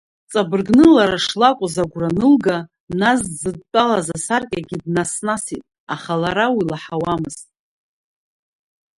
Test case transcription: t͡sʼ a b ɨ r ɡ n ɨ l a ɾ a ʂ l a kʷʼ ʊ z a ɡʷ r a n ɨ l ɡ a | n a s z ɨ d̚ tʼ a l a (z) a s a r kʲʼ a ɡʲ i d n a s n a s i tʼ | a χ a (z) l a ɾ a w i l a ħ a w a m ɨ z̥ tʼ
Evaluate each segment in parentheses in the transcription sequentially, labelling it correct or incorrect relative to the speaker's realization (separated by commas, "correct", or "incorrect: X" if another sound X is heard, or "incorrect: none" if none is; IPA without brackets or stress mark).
correct, incorrect: none